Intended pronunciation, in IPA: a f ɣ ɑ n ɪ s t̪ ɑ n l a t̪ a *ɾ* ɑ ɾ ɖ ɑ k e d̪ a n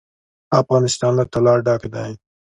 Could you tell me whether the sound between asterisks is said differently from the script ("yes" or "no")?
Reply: yes